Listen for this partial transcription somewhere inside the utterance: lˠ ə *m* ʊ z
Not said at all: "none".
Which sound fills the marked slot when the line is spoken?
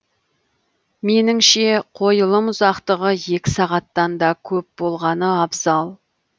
m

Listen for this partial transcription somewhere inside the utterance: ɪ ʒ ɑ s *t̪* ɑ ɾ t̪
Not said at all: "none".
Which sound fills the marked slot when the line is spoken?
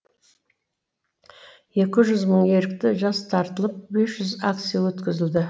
t̪ʰ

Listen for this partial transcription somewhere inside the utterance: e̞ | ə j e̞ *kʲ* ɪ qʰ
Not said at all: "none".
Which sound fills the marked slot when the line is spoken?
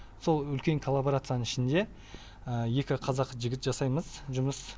kʲ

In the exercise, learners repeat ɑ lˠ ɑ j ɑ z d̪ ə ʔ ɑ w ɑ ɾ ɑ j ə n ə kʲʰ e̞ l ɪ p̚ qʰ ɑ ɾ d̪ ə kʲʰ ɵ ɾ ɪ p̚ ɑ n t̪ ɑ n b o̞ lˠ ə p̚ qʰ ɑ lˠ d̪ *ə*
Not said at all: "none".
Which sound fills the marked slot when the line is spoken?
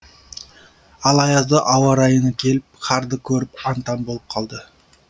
ə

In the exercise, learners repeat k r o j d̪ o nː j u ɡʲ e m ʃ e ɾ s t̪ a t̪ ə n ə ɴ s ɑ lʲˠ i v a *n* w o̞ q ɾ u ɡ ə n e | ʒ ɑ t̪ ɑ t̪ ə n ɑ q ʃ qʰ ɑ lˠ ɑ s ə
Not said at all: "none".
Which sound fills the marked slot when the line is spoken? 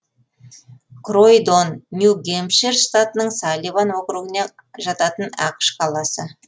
n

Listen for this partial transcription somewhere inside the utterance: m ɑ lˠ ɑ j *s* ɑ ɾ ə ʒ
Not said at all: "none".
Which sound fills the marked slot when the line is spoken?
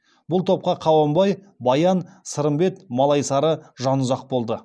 s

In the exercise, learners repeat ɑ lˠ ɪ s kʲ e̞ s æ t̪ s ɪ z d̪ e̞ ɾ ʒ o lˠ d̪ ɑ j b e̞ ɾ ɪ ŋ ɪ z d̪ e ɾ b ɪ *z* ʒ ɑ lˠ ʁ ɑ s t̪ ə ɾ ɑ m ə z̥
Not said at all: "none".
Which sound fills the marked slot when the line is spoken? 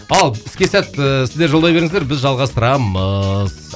z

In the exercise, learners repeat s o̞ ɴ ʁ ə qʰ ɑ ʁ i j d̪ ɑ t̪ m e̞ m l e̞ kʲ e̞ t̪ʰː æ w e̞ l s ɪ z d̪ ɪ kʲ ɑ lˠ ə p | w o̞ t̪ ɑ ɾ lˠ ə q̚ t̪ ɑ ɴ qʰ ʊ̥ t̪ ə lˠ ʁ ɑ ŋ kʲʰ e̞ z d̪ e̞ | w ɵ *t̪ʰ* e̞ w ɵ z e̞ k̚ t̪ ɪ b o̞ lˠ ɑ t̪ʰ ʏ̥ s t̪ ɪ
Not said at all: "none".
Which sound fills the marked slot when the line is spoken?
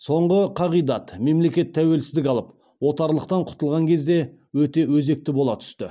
t̪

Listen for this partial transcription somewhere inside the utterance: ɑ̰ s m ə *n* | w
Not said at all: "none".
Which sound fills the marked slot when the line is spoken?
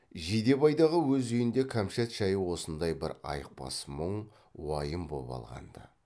ɴ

